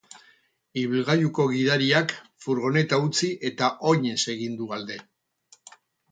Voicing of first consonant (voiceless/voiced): voiced